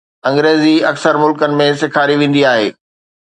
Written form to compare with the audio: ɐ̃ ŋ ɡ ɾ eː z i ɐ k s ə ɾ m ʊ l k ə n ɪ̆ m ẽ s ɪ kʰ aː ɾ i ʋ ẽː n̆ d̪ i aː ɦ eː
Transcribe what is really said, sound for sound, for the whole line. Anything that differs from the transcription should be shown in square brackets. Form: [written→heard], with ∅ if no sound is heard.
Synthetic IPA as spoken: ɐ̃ ŋ ɡ ɾ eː z i ɐ k s ə ɾ m ʊ l k ə n ɪ̆ m ẽ s ɪ kʰ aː ɾ i ʋ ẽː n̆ d̪ i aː ɦ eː